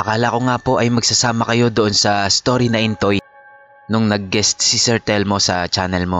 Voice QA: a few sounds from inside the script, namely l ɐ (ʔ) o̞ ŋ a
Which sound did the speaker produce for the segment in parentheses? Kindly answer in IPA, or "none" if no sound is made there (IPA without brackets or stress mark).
k